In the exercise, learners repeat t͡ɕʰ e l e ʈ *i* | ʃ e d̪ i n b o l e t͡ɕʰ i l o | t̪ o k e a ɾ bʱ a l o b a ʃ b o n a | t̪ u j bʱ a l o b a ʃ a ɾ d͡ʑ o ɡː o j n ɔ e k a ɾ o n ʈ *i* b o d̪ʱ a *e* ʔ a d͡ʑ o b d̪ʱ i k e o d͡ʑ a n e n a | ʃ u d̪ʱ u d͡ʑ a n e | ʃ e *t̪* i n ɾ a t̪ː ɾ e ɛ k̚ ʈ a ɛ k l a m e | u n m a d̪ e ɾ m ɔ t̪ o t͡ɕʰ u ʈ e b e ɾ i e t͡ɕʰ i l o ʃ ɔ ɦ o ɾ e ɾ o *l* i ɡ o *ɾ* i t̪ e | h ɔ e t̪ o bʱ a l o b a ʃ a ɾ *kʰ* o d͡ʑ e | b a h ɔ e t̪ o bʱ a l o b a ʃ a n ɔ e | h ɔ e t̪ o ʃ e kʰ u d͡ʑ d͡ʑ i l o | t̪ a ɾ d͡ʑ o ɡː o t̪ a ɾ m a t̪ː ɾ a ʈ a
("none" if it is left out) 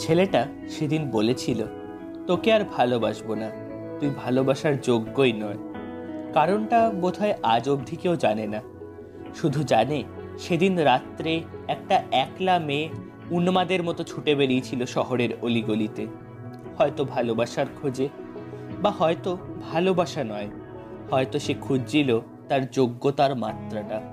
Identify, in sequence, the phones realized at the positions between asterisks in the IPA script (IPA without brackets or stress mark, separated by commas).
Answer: a, a, e, d̪, l, l, kʰ